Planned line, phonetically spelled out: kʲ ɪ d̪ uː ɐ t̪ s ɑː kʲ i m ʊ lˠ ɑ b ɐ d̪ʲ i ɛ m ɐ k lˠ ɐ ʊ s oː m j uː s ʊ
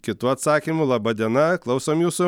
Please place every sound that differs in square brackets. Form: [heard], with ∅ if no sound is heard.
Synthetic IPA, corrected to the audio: kʲ ɪ [t̪] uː ɐ t̪ s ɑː kʲ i m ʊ lˠ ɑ b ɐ d̪ʲ i ɛ [n] ɐ k lˠ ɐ ʊ s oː m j uː s ʊ